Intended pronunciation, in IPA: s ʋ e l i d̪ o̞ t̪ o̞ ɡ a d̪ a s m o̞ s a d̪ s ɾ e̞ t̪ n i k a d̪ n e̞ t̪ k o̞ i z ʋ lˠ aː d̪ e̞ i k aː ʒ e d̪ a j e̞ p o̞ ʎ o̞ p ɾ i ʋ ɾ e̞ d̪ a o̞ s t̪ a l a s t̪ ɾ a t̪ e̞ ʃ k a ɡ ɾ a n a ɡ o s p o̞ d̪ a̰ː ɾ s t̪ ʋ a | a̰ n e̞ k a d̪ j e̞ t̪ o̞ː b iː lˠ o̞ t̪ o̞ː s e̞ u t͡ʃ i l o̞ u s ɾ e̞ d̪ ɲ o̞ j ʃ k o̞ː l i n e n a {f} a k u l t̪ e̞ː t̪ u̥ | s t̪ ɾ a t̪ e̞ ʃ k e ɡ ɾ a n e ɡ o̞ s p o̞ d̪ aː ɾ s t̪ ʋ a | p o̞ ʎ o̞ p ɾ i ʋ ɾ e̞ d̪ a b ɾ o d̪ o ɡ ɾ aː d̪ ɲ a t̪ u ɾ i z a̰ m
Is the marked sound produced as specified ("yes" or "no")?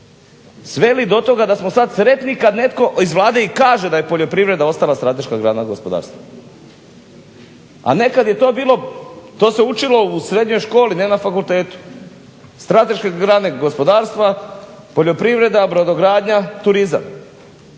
yes